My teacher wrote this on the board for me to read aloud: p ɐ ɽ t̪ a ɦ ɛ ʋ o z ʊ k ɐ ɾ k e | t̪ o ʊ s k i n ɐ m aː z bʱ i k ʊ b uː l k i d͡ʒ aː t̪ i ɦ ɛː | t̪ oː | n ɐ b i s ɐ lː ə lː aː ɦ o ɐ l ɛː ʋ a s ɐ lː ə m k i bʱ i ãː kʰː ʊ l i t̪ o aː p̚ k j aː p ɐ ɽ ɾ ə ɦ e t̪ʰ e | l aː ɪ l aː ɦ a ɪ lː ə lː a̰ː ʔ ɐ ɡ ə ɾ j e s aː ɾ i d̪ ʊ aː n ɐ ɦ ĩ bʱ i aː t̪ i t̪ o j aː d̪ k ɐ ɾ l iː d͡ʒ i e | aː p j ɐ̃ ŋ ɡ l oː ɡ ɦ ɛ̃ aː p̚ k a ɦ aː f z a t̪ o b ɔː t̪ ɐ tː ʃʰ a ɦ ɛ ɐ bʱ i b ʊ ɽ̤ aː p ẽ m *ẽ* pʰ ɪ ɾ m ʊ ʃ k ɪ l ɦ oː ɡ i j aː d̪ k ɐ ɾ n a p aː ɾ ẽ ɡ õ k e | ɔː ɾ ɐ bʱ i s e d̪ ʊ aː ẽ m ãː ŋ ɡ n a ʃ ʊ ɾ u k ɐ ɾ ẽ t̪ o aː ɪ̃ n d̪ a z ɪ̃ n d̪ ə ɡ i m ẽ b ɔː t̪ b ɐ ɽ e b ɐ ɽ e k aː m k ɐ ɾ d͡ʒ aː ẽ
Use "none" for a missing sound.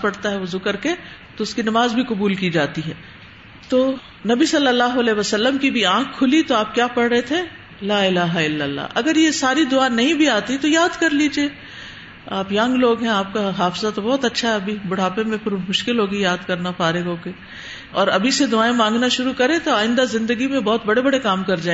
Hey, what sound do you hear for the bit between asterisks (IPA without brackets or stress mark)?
ẽ